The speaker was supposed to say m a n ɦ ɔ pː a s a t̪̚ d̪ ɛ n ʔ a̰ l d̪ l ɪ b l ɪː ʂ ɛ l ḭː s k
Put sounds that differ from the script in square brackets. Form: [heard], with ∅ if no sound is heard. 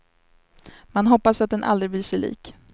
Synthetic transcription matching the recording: m a n ɦ ɔ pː a s a t̪̚ d̪ ɛ n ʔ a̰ l d̪ [ɾ] ɪ b l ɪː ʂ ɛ l ḭː [∅] k